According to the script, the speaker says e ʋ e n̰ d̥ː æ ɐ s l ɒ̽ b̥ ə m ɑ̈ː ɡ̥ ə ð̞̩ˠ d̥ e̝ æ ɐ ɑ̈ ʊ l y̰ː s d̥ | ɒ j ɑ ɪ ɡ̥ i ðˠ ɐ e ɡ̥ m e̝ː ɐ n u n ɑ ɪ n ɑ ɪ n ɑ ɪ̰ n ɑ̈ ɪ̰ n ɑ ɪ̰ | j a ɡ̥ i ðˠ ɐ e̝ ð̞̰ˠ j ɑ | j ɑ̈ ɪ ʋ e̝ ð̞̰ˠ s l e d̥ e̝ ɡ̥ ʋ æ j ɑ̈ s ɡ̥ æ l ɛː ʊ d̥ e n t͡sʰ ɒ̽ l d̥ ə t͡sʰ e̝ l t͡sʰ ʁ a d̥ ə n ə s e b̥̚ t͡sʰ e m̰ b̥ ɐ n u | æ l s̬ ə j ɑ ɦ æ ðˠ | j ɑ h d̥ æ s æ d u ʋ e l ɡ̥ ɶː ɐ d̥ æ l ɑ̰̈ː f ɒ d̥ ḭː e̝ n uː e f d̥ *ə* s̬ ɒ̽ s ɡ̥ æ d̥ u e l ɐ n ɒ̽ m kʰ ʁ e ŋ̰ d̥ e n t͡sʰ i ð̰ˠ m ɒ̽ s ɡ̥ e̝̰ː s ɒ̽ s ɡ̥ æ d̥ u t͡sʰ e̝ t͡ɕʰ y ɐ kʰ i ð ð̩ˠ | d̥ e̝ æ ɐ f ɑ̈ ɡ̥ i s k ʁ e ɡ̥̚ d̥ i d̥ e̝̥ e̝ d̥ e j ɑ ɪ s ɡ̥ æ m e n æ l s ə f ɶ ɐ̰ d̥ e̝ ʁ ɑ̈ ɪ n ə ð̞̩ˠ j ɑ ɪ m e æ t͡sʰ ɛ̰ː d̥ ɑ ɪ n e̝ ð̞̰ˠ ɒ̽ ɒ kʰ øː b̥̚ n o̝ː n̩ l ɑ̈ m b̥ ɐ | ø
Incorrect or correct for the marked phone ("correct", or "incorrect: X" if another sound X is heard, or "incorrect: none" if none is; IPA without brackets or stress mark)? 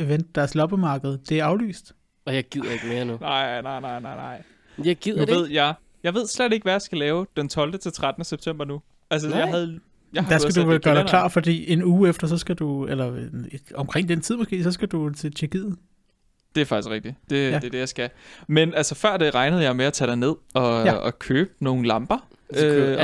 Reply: incorrect: ɐ